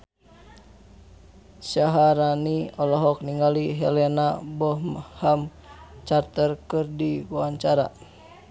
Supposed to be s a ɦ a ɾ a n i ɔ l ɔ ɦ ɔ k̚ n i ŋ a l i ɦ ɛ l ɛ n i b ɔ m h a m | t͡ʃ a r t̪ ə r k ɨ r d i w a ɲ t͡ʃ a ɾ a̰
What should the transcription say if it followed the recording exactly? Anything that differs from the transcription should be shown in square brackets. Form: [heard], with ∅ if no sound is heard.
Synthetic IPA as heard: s a ɦ a ɾ a n i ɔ l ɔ ɦ ɔ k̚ n i ŋ a l i ɦ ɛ l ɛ n [a] b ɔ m h a m | t͡ʃ a r t̪ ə r k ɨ r d i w a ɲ t͡ʃ a ɾ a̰